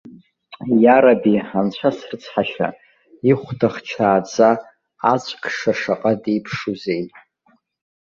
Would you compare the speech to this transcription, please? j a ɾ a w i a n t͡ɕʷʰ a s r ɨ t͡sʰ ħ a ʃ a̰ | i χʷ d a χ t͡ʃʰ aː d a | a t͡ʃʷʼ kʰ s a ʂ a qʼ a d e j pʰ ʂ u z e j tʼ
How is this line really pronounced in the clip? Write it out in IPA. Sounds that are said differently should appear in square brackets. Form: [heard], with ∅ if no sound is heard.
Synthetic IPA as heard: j a ɾ a [b] i a n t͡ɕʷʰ a s r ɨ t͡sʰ ħ a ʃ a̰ | i χʷ d a χ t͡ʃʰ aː [d͡z] a | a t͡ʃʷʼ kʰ [ʂ] a ʂ a qʼ a d e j pʰ ʂ u z e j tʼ